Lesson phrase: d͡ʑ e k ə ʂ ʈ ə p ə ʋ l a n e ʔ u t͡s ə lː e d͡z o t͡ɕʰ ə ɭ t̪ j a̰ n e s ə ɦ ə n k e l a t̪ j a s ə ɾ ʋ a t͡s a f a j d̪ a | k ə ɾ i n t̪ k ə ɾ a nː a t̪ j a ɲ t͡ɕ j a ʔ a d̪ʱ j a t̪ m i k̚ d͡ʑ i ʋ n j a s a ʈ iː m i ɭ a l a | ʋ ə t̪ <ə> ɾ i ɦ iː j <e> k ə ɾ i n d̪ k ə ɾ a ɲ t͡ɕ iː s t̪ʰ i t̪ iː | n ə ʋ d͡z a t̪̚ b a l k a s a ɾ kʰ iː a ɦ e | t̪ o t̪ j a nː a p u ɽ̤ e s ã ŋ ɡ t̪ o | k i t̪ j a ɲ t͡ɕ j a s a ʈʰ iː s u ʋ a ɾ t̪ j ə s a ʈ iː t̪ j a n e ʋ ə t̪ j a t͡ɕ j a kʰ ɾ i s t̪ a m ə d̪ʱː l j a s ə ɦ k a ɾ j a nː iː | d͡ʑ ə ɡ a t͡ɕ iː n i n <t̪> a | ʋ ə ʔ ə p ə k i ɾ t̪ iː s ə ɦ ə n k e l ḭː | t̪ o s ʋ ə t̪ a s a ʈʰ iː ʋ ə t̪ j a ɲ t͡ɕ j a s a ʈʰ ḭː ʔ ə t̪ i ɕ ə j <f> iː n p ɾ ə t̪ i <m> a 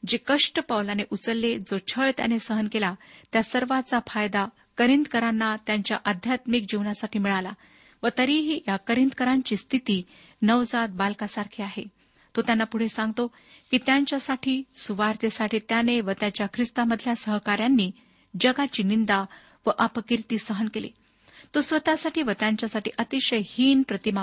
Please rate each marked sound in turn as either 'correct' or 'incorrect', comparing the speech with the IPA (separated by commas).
correct, incorrect, incorrect, incorrect, correct